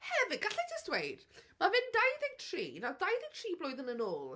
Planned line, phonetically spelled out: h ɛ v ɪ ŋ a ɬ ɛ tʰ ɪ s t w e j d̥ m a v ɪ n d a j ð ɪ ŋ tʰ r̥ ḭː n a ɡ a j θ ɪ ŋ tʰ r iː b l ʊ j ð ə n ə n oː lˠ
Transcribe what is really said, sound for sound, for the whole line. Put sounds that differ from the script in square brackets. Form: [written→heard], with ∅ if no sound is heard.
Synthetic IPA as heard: h ɛ v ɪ [ŋ→ɡ] a ɬ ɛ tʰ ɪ s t w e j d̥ m a v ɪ n d a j ð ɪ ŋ tʰ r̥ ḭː n a [ɡ→d] a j [θ→ð] ɪ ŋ tʰ r iː b l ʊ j ð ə n ə n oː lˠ